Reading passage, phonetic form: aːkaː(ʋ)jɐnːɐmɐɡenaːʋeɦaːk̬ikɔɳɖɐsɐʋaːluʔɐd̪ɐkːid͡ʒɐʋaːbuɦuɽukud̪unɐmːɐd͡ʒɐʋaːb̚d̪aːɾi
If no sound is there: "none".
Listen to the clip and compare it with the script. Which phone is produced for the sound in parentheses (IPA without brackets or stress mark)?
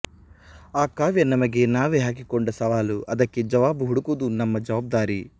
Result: ʋ